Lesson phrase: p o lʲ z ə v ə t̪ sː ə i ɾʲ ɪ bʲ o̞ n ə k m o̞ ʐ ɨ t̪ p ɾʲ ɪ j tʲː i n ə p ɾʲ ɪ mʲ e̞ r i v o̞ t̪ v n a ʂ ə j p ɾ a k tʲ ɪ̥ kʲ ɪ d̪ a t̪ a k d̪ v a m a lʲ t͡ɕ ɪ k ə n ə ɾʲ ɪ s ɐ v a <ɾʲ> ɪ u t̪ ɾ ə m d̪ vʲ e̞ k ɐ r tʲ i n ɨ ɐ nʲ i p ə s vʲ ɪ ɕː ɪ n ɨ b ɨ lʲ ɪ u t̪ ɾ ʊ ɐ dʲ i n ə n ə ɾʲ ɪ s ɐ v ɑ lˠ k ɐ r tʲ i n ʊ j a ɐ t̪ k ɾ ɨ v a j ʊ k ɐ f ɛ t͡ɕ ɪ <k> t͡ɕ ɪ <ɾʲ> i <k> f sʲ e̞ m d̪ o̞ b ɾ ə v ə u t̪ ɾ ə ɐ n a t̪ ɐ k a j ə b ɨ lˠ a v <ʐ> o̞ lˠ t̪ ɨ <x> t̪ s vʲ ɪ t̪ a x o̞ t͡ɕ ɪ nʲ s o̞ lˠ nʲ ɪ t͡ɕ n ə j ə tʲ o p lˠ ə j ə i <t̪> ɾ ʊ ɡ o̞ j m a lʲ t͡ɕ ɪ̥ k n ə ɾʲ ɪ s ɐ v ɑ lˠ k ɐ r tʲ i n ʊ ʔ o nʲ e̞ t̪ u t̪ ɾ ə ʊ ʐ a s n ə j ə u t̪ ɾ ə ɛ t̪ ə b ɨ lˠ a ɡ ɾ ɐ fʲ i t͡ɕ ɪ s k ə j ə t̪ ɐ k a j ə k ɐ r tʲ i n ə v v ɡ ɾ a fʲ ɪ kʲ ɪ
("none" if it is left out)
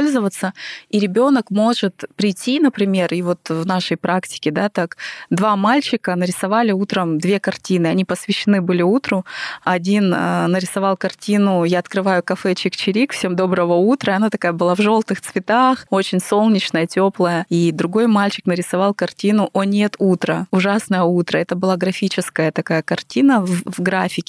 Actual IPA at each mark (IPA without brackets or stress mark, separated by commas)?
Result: lʲ, k, ɾʲ, k, ʐ, x, d̪